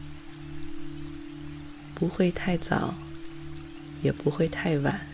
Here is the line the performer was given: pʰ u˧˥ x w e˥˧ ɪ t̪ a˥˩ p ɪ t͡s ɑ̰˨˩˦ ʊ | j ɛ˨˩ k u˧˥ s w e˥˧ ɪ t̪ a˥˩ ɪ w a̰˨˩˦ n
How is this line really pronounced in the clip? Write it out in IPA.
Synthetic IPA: p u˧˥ x w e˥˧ ɪ t̪ʰ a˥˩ ɪ t͡s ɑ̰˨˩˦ ʊ | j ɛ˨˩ p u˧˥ x w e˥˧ ɪ t̪ʰ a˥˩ ɪ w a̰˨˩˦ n